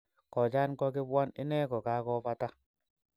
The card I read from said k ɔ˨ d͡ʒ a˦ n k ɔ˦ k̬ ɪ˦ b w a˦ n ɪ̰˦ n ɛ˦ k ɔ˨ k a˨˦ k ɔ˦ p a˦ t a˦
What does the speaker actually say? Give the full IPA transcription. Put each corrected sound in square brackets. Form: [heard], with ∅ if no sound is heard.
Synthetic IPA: k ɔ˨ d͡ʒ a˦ n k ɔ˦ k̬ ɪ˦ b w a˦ n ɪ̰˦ n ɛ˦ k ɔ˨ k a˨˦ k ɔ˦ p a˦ t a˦

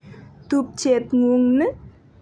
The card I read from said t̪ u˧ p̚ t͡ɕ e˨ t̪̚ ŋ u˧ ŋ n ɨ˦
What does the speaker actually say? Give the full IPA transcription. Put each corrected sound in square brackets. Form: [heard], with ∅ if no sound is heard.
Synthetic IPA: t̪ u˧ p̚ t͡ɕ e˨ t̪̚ ŋ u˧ ŋ n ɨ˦

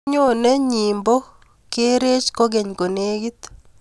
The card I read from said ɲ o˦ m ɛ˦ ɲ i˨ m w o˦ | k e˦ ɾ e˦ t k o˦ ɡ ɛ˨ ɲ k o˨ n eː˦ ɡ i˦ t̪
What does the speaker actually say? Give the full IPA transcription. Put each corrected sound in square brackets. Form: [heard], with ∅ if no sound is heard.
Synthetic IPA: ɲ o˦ [n] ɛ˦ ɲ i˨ m [b] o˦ | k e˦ ɾ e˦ [t͡ʃ] k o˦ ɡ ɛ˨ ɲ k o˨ n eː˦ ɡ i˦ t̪

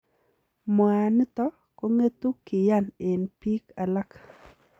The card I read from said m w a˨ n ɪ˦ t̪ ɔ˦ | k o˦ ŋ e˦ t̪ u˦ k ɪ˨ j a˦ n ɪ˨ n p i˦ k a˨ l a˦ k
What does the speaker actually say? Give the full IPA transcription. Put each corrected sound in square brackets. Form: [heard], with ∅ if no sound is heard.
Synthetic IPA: m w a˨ n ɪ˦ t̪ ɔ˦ | k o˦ ŋ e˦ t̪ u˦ k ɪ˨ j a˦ n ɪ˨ n p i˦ k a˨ l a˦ k

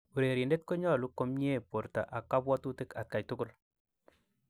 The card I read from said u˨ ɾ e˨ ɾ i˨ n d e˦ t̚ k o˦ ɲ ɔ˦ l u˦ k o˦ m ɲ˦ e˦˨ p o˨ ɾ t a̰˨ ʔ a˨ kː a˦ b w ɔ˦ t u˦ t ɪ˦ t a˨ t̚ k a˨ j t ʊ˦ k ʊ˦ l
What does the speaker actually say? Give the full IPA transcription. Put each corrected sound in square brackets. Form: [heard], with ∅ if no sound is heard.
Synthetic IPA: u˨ ɾ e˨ ɾ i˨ n d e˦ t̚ k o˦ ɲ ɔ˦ l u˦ k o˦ m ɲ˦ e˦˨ p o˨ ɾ t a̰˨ ʔ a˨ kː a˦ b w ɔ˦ t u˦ t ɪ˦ [k] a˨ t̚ k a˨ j t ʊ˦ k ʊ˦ l

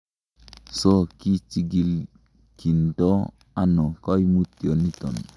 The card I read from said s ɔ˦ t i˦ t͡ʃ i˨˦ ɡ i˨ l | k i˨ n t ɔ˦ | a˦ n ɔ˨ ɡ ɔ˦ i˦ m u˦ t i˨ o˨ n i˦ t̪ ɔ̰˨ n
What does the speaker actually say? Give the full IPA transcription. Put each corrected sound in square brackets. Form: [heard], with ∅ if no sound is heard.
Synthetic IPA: s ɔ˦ [k] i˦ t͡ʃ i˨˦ ɡ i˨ l | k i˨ n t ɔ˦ | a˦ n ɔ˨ [k] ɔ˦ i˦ m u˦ t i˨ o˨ n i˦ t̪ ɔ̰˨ n

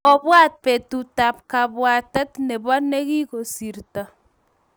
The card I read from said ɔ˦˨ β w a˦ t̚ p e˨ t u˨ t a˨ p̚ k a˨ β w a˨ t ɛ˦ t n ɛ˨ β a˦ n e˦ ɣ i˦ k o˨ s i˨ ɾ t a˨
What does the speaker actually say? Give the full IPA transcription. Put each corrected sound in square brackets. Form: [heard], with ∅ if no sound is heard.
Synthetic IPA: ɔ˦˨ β w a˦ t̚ p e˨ t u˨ t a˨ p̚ k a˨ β w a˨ t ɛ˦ t n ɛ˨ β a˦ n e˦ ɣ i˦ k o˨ s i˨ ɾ t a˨

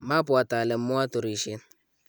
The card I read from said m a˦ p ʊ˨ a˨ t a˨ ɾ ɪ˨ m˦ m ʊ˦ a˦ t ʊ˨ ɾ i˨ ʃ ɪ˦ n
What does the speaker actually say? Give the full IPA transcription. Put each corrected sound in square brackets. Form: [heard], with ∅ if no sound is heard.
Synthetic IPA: m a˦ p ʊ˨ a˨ t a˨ [l] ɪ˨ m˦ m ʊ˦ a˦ t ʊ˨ ɾ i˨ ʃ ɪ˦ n

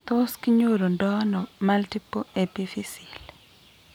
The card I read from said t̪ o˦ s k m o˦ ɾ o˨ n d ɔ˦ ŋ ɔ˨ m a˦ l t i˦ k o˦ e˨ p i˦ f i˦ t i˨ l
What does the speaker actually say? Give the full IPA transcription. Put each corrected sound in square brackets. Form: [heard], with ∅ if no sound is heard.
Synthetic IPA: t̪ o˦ s k [ɲ] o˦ ɾ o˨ n d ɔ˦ [n] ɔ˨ m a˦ l t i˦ [p] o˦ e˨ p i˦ f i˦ [s] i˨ l

